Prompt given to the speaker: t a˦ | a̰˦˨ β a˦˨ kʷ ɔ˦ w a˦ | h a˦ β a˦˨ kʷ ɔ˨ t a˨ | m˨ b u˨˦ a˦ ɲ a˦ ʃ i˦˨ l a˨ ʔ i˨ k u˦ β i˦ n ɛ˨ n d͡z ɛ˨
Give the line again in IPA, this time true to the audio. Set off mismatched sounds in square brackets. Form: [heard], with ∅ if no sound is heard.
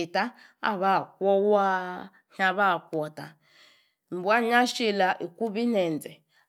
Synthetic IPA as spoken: t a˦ | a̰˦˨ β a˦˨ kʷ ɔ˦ w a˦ | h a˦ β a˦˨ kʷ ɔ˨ t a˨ | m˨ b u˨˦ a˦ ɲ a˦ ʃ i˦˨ l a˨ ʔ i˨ k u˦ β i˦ n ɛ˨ n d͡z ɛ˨